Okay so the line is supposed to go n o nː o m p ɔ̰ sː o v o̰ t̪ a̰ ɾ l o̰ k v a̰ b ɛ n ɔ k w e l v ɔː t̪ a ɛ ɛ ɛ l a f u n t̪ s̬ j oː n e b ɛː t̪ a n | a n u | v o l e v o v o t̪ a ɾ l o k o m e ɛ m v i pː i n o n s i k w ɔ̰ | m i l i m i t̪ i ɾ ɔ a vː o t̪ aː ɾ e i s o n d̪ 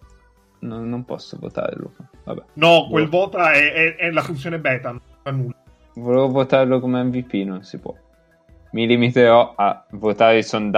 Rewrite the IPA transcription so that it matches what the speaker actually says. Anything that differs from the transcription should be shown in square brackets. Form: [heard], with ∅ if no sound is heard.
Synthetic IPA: n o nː o m p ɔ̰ sː o v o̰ t̪ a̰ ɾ l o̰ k v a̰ b ɛ n ɔ k w e l v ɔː t̪ a ɛ ɛ ɛ l a f u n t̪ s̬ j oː n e b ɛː t̪ a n | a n u | v o l e v o v o t̪ a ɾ l o k o m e ɛ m v i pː i n o n s i [p] w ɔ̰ | m i l i m i t̪ [e] ɾ ɔ a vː o t̪ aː ɾ e i s o n d̪